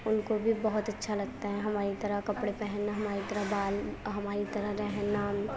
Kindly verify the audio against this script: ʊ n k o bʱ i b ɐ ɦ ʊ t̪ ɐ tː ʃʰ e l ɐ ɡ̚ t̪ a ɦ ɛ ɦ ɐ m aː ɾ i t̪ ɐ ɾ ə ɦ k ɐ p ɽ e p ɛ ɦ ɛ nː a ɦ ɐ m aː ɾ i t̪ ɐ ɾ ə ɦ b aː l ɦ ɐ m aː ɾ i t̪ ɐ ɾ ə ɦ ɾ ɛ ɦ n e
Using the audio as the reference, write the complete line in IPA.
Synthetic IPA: ʊ n k o bʱ i b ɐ ɦ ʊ t̪ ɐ tː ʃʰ a l ɐ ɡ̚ t̪ a ɦ ɛ ɦ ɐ m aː ɾ i t̪ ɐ ɾ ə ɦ k ɐ p ɽ e p ɛ ɦ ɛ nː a ɦ ɐ m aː ɾ i t̪ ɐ ɾ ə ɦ b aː l ɦ ɐ m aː ɾ i t̪ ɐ ɾ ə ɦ ɾ ɛ ɦ n a